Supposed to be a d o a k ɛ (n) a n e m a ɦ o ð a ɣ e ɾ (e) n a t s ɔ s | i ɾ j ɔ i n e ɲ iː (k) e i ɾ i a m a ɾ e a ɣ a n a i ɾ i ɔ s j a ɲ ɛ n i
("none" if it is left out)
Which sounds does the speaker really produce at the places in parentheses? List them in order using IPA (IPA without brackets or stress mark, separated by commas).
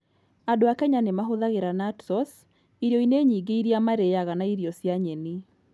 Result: ɲ, a, ɡ